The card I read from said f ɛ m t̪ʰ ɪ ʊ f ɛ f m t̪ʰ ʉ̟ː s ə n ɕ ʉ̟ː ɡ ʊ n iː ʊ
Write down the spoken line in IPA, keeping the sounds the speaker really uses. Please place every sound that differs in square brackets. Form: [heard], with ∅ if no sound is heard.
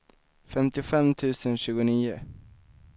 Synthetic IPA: f ɛ m [t̪] ɪ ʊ f ɛ [∅] m t̪ʰ ʉ̟ː s ə n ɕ ʉ̟ː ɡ ʊ n iː ʊ